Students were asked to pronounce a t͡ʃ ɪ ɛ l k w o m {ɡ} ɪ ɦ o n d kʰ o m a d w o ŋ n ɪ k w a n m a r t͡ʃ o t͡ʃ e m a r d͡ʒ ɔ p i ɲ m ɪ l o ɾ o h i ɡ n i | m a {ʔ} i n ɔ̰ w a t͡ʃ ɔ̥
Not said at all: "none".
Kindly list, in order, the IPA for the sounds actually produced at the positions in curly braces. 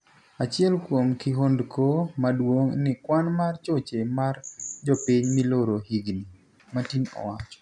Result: k, t

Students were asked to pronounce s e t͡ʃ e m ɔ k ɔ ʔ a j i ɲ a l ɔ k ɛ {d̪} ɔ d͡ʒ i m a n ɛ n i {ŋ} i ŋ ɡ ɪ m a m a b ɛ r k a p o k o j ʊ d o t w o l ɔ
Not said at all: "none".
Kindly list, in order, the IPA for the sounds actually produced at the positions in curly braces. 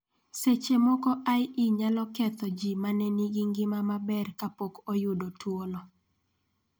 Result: t̪, ɡ

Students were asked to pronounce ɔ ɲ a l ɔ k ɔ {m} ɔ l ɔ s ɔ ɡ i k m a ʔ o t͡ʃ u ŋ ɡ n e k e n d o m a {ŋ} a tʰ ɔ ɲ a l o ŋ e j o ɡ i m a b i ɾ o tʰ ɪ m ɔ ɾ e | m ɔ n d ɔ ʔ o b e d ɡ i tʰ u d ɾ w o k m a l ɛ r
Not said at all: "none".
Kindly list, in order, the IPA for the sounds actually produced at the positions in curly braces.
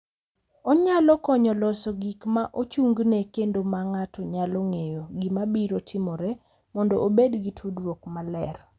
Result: ɲ, ŋ

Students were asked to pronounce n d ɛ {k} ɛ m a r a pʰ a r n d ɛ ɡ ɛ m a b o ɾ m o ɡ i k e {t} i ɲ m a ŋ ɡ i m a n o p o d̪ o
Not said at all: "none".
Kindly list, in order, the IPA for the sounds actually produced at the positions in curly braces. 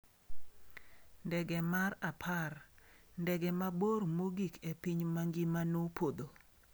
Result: ɡ, p

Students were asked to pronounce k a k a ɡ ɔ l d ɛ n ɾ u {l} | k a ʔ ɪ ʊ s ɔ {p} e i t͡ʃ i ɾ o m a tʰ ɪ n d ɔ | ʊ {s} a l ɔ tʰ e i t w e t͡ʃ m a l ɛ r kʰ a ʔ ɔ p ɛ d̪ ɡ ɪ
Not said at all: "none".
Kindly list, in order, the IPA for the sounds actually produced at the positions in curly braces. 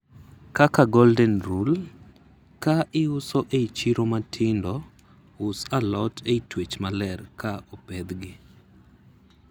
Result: l, ʔ, s

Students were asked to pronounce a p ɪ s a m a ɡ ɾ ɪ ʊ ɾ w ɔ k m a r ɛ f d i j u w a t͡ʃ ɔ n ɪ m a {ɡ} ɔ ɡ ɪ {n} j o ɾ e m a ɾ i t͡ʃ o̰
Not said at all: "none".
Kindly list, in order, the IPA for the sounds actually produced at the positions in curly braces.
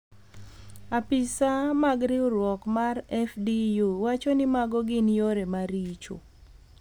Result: ɡ, n

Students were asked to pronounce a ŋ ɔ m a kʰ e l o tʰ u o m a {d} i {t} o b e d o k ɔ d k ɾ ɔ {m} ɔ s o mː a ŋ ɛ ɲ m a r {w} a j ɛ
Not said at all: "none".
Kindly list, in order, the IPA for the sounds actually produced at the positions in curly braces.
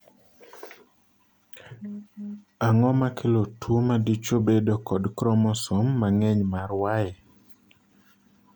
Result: d, t͡ʃ, m, w

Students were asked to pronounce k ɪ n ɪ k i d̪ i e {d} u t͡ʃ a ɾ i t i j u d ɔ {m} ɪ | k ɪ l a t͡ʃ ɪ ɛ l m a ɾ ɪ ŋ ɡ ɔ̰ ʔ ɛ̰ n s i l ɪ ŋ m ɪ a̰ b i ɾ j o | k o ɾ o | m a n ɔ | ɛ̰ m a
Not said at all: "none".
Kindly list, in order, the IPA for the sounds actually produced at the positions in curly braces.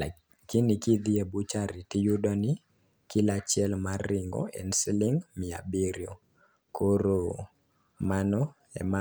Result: b, n

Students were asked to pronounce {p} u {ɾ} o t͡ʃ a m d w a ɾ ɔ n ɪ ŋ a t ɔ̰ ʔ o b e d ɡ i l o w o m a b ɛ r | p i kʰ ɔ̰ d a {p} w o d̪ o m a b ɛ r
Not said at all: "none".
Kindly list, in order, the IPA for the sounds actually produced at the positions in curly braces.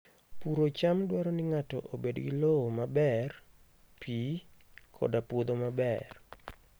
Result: p, ɾ, p

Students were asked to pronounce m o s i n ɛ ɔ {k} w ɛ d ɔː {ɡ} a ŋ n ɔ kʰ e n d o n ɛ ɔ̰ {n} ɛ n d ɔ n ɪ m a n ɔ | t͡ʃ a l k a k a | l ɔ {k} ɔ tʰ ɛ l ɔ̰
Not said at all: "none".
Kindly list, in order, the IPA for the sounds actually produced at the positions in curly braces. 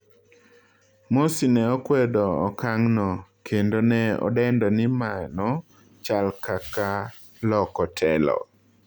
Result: k, k, d, k

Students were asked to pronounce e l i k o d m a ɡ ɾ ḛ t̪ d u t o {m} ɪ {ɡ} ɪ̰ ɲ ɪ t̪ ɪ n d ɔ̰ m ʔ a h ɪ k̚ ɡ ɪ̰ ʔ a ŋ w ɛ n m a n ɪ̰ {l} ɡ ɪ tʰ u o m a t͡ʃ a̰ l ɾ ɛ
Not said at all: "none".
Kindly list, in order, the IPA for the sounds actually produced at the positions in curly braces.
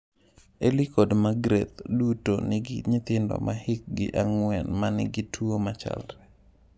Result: n, ɡ, none

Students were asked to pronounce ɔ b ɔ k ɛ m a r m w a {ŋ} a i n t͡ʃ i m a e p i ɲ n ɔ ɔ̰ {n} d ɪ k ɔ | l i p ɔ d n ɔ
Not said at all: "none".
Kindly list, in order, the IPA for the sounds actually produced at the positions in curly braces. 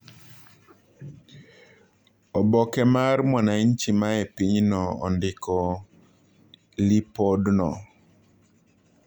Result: n, n

